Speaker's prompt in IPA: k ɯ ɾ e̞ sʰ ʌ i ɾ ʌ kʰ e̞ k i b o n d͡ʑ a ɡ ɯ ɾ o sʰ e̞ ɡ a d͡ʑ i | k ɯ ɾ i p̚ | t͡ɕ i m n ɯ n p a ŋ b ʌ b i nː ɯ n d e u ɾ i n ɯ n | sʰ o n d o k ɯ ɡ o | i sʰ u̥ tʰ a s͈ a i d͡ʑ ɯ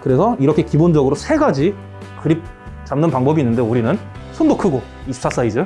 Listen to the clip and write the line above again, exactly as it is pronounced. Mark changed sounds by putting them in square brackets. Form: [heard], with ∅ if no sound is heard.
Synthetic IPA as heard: k ɯ ɾ e̞ sʰ ʌ i ɾ ʌ kʰ e̞ k i b o n d͡ʑ [ʌ] ɡ ɯ ɾ o sʰ e̞ ɡ a d͡ʑ i | k ɯ ɾ i p̚ | t͡ɕ [a] m n ɯ n p a ŋ b ʌ b i nː ɯ n d e u ɾ i n ɯ n | sʰ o n d o [kʰ] ɯ ɡ o | i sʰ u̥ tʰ a s͈ a i d͡ʑ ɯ